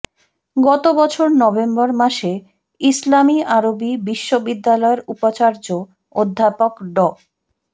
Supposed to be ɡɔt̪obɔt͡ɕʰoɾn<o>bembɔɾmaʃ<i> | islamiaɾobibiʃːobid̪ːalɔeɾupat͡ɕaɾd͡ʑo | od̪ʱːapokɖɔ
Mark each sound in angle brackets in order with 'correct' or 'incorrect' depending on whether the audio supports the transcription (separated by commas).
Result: incorrect, incorrect